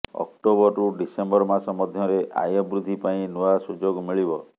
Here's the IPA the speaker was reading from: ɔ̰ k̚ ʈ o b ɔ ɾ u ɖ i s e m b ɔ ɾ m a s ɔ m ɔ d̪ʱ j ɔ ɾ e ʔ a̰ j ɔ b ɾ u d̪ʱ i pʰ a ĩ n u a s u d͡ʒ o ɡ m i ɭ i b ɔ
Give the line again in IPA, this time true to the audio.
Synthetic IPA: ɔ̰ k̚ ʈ o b ɔ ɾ u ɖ i s e m b ɔ ɾ m a s ɔ m ɔ d̪ʱ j ɔ ɾ e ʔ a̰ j ɔ b ɾ u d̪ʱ i p a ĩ n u a s u d͡ʒ o ɡ m i ɭ i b ɔ